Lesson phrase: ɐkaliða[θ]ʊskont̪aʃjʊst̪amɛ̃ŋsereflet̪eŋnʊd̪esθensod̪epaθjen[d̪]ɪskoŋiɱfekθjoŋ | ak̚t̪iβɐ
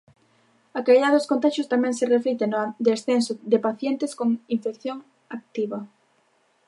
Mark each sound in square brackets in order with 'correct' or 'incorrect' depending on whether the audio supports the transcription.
incorrect: ð, incorrect: t̪

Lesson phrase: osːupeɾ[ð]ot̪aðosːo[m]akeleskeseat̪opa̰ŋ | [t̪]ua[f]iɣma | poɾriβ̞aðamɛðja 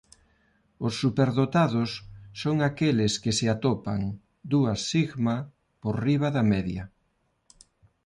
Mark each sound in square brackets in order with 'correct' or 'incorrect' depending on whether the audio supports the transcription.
correct, incorrect: ŋ, incorrect: d̪, incorrect: s

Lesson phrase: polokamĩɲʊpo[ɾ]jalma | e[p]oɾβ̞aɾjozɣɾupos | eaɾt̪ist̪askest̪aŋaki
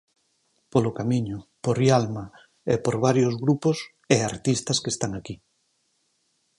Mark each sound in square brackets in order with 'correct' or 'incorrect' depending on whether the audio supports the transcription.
correct, correct

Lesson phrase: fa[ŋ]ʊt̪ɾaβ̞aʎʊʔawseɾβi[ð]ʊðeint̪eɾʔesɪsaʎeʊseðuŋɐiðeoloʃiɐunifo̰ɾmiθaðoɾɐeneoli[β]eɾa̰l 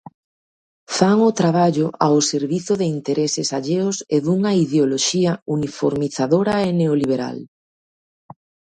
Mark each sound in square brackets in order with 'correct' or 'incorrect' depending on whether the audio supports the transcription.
correct, incorrect: θ, correct

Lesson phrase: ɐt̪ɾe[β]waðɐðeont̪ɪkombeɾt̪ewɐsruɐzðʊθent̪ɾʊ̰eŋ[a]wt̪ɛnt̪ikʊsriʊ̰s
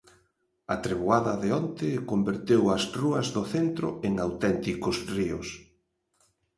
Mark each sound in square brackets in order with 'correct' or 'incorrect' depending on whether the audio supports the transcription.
correct, correct

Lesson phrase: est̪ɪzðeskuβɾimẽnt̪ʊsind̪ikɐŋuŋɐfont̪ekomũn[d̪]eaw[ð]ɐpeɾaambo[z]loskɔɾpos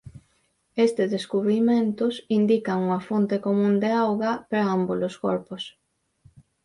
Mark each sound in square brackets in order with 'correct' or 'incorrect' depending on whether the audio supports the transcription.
correct, incorrect: ɣ, incorrect: none

